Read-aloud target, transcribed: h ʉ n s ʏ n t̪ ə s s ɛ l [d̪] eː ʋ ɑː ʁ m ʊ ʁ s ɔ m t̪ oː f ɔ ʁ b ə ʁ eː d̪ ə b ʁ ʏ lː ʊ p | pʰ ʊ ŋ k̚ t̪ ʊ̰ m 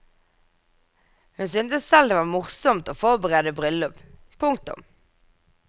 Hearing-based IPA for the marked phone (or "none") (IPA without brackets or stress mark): d̪